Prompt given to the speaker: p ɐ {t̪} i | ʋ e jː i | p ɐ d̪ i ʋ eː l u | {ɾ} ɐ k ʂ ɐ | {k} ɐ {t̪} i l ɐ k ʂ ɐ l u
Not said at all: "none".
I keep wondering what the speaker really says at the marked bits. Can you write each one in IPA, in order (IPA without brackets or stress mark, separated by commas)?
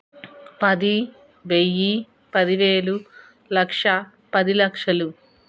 d̪, l, p, d̪